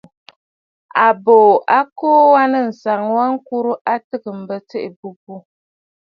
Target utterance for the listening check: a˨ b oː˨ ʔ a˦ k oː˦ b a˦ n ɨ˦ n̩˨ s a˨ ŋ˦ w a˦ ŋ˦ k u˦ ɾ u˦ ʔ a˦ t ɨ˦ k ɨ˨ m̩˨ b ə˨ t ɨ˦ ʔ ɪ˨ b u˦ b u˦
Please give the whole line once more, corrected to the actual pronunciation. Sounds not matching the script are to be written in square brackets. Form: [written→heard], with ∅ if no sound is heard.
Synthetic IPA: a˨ b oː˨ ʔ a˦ k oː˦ [b→w] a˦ n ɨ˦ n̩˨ s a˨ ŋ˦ w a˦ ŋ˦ k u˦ ɾ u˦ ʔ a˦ t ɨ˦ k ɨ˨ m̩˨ b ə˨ t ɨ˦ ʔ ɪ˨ b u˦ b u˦